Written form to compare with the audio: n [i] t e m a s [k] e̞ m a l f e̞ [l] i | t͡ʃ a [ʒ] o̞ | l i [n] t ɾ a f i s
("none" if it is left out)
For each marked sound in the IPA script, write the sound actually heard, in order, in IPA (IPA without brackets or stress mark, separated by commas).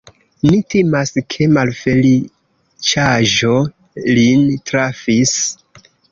i, kʰ, l, ʒ, n